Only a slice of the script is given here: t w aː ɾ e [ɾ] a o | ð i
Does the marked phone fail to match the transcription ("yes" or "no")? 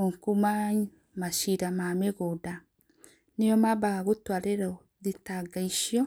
no